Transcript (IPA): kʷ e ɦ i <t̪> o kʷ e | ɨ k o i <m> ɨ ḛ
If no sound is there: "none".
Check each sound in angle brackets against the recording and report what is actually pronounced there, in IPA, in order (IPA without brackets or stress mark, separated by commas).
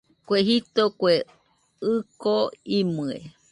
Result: t̪, m